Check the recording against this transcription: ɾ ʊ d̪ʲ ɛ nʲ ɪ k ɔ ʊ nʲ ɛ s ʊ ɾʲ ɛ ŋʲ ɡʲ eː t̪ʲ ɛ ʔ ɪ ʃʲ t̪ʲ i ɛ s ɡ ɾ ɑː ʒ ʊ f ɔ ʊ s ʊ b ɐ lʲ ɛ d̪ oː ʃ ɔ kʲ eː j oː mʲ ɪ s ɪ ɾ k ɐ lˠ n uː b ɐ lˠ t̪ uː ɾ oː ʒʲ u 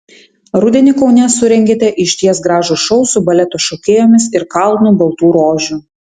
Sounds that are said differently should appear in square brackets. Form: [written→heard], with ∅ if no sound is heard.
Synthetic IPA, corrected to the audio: ɾ ʊ d̪ʲ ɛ nʲ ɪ k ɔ ʊ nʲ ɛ s ʊ ɾʲ ɛ ŋʲ ɡʲ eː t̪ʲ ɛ ʔ ɪ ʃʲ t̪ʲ i ɛ s ɡ ɾ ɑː ʒ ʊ [f→ʃ] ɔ ʊ s ʊ b ɐ lʲ ɛ [d̪→t̪] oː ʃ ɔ kʲ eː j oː mʲ ɪ s ɪ ɾ k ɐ lˠ n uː b ɐ lˠ t̪ uː ɾ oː ʒʲ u